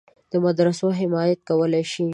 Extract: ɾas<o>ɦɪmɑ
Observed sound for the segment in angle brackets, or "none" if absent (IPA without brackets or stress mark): o